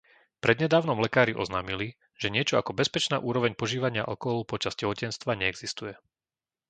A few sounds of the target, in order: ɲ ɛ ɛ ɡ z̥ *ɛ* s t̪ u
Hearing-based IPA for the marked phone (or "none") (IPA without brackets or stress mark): i